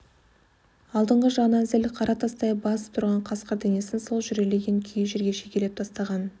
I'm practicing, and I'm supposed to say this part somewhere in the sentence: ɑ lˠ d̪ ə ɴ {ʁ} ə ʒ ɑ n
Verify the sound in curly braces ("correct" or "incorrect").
correct